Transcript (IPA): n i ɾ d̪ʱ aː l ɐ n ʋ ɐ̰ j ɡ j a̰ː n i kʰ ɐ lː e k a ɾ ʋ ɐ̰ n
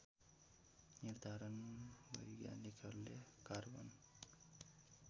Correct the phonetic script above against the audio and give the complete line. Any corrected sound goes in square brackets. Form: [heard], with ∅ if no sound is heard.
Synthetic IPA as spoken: n i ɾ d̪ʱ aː [ɾ] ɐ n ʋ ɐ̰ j ɡ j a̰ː n i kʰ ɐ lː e k a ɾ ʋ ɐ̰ n

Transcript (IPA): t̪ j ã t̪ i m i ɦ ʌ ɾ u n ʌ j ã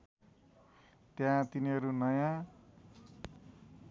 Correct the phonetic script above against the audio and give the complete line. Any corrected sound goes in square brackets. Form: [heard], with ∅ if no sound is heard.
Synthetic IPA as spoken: t̪ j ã t̪ i [n] i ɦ ʌ ɾ u n ʌ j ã

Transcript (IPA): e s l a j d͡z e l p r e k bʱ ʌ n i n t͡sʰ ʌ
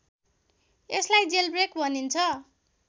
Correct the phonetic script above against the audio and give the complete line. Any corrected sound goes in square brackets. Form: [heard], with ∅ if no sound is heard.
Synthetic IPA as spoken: e s l a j d͡z e l [b] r e k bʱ ʌ n i n t͡sʰ ʌ

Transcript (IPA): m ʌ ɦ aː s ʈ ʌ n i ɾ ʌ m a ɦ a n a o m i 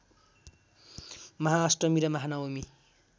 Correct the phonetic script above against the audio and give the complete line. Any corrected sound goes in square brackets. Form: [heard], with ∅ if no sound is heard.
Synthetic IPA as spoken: m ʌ ɦ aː s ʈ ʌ [m] i ɾ ʌ m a ɦ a n a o m i

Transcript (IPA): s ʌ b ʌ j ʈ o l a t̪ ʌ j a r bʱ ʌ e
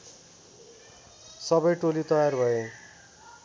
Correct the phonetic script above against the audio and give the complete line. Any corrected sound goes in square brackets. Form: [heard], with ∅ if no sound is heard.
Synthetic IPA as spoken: s ʌ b ʌ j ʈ o l [i] t̪ ʌ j a r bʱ ʌ e

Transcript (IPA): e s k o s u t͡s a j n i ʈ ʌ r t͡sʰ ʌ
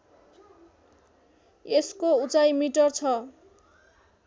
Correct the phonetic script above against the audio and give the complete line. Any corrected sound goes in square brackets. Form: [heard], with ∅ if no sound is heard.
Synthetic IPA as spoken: e s k o [∅] u t͡s a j [m] i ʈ ʌ r t͡sʰ ʌ

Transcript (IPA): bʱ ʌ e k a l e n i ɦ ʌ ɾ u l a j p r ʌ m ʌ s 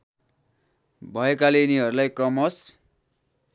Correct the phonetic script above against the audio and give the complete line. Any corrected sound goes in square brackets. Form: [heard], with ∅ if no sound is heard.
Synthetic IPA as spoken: bʱ ʌ e k a l e n i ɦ ʌ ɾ u l a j [k] r ʌ m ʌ s

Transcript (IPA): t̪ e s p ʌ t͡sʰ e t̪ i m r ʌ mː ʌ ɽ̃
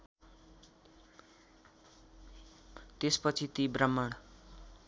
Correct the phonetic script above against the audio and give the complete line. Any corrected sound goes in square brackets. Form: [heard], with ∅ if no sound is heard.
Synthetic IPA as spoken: t̪ e s p ʌ t͡sʰ [i] t̪ i [b] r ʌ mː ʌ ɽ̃

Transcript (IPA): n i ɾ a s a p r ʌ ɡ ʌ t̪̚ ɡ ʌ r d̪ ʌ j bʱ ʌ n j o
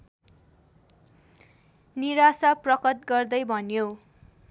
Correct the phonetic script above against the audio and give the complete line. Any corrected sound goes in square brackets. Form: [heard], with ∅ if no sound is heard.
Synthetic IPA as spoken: n i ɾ a s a p r ʌ [k] ʌ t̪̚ ɡ ʌ r d̪ ʌ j bʱ ʌ n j o

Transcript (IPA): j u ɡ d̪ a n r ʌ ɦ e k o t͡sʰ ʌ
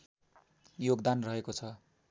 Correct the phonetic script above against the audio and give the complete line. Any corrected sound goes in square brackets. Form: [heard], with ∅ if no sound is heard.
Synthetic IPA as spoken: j [o] ɡ d̪ a n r ʌ ɦ e k o t͡sʰ ʌ

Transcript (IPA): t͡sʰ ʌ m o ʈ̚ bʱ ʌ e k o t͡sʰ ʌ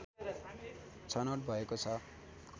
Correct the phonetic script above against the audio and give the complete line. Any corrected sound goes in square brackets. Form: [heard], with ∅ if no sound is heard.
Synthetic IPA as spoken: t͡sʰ ʌ [n] o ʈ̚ bʱ ʌ e k o t͡sʰ ʌ

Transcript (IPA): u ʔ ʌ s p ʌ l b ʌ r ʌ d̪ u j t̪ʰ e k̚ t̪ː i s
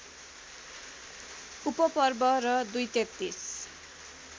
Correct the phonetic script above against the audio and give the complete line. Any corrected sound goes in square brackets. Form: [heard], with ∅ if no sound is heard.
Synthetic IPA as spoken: u [p] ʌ [∅] p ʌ [r] b ʌ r ʌ d̪ u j [t̪] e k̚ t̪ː i s

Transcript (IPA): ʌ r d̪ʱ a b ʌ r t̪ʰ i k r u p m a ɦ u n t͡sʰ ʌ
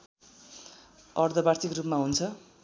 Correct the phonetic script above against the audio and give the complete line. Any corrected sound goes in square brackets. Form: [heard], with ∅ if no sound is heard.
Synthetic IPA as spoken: ʌ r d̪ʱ [ʌ] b [a] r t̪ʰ i k r u p m a ɦ u n t͡sʰ ʌ

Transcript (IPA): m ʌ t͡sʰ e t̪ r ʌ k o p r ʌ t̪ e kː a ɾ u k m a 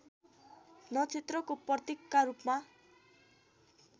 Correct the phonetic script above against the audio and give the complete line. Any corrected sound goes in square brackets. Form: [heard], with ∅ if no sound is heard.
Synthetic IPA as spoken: [n] ʌ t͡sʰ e t̪ r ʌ k o p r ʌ t̪ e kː a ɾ u [p] m a

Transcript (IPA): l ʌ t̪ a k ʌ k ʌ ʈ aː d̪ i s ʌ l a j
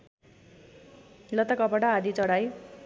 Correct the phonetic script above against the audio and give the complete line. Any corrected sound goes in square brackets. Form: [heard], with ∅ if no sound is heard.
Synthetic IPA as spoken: l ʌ t̪ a k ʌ [p] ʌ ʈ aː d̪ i [t͡s] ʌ [ɽ] a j

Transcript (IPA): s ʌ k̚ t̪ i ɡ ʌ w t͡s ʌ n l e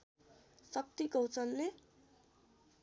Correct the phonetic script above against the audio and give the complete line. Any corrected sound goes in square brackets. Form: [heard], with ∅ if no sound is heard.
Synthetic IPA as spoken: s ʌ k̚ t̪ i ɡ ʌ w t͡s ʌ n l e

